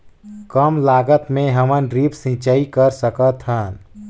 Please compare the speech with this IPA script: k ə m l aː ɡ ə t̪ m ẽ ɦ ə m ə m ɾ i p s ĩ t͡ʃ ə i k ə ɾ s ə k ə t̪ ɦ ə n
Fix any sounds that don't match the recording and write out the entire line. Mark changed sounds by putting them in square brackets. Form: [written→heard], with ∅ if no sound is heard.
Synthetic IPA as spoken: k ə m l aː ɡ ə t̪ m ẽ ɦ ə m ə [m→n] ɾ i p s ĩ t͡ʃ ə i k ə ɾ s ə k ə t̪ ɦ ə n